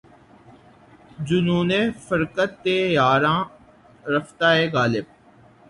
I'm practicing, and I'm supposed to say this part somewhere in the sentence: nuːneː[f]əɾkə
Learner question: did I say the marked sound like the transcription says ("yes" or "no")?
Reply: yes